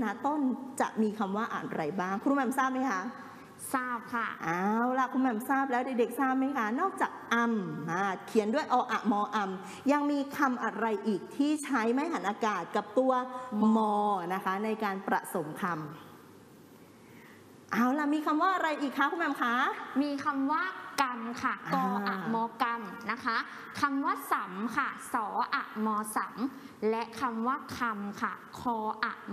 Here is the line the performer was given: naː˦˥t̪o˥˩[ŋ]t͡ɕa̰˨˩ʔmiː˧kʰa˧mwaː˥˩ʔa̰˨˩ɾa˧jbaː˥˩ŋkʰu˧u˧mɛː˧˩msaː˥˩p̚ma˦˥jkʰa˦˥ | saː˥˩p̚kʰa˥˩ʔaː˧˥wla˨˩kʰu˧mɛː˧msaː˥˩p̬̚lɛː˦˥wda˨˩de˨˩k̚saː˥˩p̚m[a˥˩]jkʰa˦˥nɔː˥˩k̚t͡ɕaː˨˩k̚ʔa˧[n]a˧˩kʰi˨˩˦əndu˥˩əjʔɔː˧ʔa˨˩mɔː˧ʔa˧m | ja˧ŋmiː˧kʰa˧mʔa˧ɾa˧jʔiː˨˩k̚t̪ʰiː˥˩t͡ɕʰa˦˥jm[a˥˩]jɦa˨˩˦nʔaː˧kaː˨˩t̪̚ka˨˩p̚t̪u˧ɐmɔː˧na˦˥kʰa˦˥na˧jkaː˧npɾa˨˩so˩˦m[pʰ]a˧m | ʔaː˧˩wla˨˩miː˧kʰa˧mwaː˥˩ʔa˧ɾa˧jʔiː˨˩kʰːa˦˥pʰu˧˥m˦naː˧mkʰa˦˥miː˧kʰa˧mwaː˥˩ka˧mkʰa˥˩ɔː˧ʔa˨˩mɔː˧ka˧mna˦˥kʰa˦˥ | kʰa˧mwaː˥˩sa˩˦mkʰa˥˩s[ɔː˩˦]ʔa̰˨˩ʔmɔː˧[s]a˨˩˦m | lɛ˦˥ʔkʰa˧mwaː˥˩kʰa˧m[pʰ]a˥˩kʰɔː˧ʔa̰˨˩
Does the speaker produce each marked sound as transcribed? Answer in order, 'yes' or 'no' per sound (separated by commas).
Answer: no, no, no, no, no, yes, yes, no